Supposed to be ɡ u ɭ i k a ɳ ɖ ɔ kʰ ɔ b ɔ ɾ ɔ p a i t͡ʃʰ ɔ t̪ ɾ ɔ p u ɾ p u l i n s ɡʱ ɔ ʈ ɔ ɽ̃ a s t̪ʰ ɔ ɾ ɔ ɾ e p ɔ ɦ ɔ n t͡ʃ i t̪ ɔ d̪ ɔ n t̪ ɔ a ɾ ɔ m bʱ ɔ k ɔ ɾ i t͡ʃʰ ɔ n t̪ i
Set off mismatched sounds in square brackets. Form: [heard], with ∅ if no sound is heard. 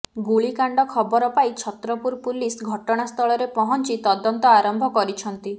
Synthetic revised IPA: ɡ u ɭ i k a ɳ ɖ ɔ kʰ ɔ b ɔ ɾ ɔ p a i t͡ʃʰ ɔ t̪ ɾ ɔ p u ɾ p u l i [∅] s ɡʱ ɔ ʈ ɔ ɽ̃ a s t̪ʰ ɔ [ɭ] ɔ ɾ e p ɔ ɦ ɔ n t͡ʃ i t̪ ɔ d̪ ɔ n t̪ ɔ a ɾ ɔ m bʱ ɔ k ɔ ɾ i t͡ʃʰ ɔ n t̪ i